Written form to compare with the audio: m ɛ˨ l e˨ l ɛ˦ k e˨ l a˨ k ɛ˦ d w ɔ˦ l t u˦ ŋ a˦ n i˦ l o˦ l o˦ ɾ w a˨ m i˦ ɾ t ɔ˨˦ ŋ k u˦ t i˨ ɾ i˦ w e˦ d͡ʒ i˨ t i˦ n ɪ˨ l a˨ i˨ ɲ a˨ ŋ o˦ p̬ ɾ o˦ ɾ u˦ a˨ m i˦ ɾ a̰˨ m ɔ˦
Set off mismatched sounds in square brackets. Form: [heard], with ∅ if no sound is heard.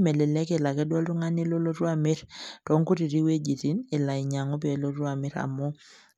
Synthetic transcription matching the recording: m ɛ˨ l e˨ l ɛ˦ k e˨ l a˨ k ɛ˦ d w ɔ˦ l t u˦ ŋ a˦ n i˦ l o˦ l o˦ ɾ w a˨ m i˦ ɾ t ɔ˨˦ ŋ k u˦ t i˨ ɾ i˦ w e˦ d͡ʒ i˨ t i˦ n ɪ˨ l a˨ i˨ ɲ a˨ ŋ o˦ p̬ [l] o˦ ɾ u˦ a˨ m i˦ ɾ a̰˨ m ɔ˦